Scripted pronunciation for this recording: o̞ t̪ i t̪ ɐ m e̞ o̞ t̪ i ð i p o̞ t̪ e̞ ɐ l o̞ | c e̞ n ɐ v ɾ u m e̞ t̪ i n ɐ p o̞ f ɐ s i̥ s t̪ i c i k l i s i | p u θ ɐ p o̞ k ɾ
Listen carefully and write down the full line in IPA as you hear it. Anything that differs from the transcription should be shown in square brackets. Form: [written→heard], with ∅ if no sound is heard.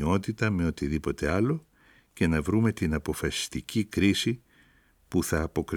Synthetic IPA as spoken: o̞ t̪ i t̪ ɐ m e̞ o̞ t̪ i ð i p o̞ t̪ e̞ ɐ l o̞ | c e̞ n ɐ v ɾ u m e̞ t̪ i n ɐ p o̞ f ɐ s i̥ s t̪ i c i k [l→ɾ] i s i | p u θ [ɐ→ɐː] p o̞ k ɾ